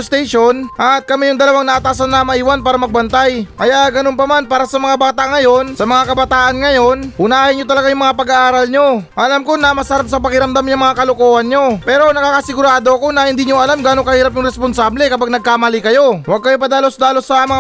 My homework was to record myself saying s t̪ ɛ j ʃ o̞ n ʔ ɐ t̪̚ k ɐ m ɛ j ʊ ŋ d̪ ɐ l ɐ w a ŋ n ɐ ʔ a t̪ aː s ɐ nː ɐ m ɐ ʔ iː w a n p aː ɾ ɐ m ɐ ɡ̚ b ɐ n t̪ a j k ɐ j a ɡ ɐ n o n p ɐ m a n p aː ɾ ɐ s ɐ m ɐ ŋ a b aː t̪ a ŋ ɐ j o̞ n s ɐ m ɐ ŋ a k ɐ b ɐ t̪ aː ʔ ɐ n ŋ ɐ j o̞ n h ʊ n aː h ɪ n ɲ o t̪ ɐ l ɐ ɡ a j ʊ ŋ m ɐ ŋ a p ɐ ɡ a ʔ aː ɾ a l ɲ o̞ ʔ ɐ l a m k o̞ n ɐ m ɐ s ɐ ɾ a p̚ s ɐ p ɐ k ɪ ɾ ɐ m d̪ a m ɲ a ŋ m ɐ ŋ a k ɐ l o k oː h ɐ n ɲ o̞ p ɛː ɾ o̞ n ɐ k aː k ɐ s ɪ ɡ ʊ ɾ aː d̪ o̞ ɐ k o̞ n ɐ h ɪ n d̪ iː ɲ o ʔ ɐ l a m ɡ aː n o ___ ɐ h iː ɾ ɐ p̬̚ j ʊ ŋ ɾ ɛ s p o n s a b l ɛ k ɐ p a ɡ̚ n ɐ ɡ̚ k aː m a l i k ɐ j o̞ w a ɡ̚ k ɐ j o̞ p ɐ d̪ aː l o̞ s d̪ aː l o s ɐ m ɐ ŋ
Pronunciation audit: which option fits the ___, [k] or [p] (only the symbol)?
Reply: k